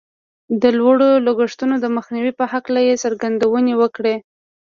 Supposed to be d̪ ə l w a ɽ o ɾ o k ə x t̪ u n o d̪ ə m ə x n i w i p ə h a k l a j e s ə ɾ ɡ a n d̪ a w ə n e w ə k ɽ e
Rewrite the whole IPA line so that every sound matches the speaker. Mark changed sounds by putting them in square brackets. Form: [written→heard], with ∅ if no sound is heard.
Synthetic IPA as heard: d̪ ə l w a ɽ o [ɾ→l] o [k→ɡ] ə [x→ʂ] t̪ u n o d̪ ə m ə x n i w i p ə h a k l a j e s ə ɾ ɡ a n d̪ a w ə n e w ə k ɽ e